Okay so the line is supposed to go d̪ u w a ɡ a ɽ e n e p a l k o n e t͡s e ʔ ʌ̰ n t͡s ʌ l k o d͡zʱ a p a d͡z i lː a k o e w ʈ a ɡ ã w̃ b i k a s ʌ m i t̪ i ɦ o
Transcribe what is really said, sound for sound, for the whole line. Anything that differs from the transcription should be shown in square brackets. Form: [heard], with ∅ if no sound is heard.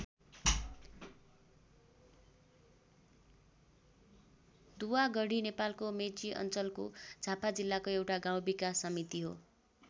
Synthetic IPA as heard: d̪ u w a ɡ [ʌ] ɽ [i] n e p a l k o [m] e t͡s [i] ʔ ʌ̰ n t͡s ʌ l k o d͡zʱ a p a d͡z i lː a k o e w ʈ a ɡ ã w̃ b i k a s ʌ m i t̪ i ɦ o